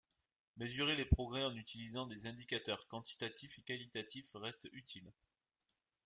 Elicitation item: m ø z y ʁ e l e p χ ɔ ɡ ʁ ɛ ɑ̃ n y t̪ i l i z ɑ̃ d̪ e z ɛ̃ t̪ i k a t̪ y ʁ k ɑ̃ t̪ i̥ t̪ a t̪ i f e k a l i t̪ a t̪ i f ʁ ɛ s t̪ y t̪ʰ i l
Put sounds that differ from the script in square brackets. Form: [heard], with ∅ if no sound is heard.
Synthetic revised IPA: m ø z y ʁ e l e p χ ɔ ɡ ʁ ɛ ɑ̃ n y t̪ i l i z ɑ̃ d̪ e z ɛ̃ [d̪] i k a t̪ [œ] ʁ k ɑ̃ t̪ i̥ t̪ a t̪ i f e k a l i t̪ a t̪ i f ʁ ɛ s t̪ y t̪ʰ i l